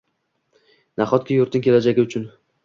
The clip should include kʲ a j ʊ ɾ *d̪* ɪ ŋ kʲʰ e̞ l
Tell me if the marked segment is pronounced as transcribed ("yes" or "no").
no